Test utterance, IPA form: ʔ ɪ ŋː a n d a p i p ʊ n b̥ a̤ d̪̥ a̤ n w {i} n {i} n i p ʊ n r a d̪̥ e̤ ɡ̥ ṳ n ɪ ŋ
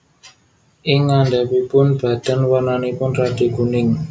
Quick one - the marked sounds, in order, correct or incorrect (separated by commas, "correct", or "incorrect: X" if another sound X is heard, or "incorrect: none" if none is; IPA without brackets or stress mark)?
incorrect: a, incorrect: a